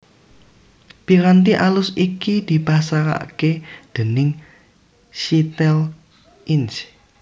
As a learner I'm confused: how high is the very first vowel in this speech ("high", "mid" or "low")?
high